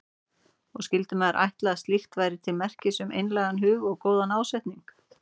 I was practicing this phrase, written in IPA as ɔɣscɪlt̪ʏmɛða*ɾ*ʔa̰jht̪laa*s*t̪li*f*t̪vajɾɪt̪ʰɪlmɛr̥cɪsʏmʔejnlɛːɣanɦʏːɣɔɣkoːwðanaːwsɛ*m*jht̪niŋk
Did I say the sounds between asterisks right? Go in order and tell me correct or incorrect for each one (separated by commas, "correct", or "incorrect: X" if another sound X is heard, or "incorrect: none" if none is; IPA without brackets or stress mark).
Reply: correct, correct, incorrect: x, incorrect: none